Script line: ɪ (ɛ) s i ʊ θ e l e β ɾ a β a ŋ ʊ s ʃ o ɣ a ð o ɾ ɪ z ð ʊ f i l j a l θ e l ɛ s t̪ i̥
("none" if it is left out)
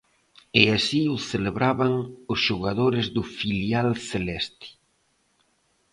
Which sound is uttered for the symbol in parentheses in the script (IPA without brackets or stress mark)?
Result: a